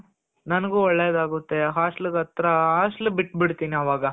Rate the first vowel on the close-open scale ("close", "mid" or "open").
open